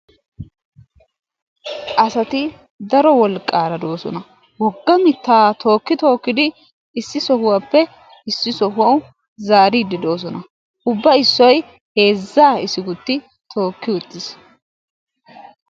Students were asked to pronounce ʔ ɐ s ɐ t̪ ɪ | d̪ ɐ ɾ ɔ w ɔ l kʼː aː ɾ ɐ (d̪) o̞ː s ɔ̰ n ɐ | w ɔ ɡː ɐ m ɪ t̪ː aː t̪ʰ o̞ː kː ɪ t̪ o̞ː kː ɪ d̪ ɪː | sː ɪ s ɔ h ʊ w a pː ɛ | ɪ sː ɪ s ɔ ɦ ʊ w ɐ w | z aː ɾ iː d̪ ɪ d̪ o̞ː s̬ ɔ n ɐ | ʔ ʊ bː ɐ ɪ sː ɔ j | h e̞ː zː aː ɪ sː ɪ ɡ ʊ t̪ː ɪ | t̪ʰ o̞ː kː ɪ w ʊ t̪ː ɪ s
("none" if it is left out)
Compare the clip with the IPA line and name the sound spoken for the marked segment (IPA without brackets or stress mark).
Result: d̪